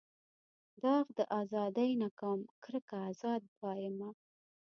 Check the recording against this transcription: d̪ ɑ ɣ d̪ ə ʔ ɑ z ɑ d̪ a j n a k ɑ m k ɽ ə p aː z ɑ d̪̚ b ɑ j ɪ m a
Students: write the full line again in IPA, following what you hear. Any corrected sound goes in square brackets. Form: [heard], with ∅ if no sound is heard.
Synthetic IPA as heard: d̪ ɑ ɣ d̪ ə ʔ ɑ z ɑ d̪ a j n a k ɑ m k [ɾ] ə [k] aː z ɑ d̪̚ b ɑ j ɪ m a